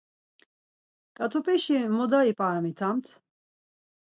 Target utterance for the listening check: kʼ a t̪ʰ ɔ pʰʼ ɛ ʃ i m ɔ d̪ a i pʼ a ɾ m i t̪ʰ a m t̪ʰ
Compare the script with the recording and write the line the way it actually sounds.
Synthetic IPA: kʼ a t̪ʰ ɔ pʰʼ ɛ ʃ i m ɔ d̪ a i pʼ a ɾ m i t̪ʰ a m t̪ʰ